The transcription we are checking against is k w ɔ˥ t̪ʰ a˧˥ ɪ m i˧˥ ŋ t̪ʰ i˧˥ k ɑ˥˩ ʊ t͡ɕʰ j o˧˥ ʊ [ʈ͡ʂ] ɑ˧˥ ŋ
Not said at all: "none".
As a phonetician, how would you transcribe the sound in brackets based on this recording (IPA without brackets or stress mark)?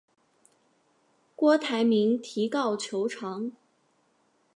ʈ͡ʂʰ